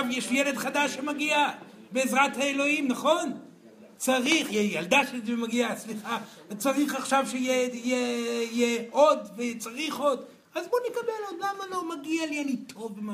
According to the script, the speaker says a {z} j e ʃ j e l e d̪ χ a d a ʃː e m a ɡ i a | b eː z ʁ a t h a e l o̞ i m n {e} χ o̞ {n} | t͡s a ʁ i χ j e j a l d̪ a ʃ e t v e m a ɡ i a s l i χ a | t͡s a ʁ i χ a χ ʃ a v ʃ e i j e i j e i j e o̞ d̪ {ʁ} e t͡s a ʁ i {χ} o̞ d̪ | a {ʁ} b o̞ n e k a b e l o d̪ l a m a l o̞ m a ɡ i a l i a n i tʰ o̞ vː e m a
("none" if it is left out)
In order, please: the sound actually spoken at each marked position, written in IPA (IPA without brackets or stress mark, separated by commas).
v, a, n, v, χ, z